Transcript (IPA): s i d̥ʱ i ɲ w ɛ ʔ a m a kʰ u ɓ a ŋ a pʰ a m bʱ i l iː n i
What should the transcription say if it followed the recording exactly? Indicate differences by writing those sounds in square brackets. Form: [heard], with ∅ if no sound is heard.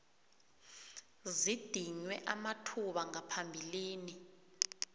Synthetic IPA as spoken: [z] i d̥ʱ i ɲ w ɛ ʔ a m a [tʰ] u ɓ a ŋ a pʰ a m bʱ i l iː n i